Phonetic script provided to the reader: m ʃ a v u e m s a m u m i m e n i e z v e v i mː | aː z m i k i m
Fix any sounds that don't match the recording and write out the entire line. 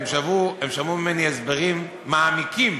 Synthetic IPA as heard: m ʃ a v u e m ʃ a m u m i m e n i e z b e ʁ i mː | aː m i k i m